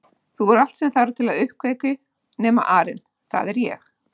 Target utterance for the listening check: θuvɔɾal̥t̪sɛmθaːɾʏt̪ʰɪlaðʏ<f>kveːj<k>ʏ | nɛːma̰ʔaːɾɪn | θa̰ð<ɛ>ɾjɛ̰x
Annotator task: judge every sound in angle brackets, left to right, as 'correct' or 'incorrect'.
incorrect: h, correct, correct

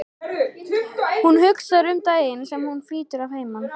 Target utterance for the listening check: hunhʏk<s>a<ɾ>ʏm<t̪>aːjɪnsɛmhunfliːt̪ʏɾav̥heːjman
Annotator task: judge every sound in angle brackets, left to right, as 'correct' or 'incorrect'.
correct, correct, correct

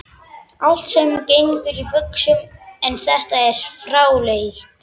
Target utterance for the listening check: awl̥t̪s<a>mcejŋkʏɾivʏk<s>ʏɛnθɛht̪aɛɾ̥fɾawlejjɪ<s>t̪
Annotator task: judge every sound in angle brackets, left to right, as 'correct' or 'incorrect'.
incorrect: ɛ, correct, incorrect: h

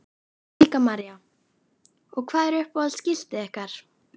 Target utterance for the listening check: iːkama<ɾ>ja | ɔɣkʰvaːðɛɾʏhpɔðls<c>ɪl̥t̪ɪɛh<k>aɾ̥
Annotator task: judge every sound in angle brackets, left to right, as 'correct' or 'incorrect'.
correct, correct, correct

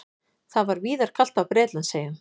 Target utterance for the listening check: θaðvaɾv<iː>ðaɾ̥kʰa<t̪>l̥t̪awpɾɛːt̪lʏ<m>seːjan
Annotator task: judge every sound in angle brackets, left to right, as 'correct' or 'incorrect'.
correct, incorrect: none, incorrect: n

